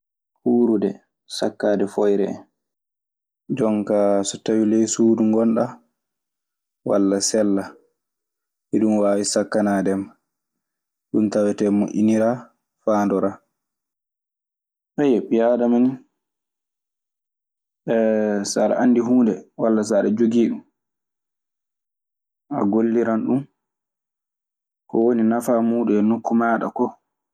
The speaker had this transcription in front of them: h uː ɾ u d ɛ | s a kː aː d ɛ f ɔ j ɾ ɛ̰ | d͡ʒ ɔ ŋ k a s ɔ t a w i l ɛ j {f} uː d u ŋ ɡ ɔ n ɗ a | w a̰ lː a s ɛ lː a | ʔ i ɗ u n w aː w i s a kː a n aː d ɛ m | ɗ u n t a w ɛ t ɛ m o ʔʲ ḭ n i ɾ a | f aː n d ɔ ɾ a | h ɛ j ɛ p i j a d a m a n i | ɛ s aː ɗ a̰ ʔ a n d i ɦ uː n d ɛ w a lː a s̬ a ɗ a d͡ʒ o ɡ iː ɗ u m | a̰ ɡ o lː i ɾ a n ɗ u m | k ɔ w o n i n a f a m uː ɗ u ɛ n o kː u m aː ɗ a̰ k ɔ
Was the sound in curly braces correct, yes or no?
no